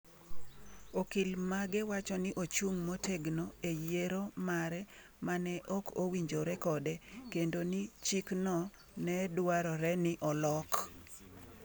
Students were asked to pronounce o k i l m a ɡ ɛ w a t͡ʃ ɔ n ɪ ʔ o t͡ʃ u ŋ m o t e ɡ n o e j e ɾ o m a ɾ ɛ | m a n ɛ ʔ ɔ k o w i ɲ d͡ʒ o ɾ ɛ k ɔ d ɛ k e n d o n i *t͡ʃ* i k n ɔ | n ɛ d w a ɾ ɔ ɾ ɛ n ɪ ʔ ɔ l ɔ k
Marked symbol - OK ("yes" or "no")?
yes